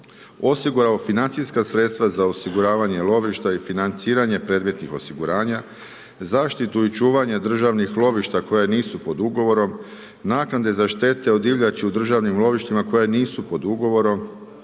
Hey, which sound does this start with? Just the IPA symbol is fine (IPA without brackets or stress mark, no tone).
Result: o̞